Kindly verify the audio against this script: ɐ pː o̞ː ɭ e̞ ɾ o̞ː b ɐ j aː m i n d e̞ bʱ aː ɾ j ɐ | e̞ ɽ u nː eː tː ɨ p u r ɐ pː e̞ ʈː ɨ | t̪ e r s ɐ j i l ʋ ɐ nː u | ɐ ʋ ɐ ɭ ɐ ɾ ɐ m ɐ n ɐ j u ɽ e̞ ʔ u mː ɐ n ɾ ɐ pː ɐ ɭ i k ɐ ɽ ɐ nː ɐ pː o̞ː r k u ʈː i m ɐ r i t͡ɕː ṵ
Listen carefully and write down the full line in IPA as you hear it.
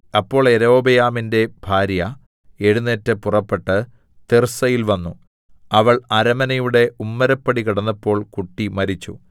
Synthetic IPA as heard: ɐ pː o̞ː ɭ e̞ ɾ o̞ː b ɐ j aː m i n d e̞ bʱ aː ɾ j ɐ | e̞ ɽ u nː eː tː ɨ p u r ɐ pː e̞ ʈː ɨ | t̪ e r s ɐ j i l ʋ ɐ nː u | ɐ ʋ ɐ ɭ ɐ ɾ ɐ m ɐ n ɐ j u ɽ e̞ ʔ u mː ɐ ɾ ɐ pː ɐ ɽ i k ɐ ɽ ɐ nː ɐ pː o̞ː ɭ k u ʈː i m ɐ ɾ i t͡ɕː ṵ